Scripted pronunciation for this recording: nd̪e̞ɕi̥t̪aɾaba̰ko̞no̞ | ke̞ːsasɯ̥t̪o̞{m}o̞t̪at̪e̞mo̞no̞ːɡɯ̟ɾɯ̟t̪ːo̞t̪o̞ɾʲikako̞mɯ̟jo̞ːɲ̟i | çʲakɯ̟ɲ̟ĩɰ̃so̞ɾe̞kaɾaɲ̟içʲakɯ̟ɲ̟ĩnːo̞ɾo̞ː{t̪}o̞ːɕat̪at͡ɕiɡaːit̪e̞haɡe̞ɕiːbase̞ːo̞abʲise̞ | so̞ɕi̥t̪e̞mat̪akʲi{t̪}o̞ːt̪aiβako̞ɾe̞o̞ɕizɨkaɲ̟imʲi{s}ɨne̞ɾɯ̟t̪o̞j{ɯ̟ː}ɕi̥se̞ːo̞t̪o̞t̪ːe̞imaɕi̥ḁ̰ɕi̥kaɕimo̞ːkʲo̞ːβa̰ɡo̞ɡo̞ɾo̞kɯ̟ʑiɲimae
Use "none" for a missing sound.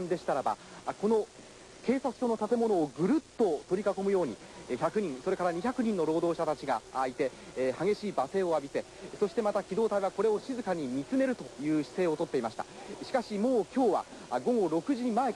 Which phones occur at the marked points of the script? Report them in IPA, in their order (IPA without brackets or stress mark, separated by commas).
n, d̪, d̪, t͡s, ɯ̟ː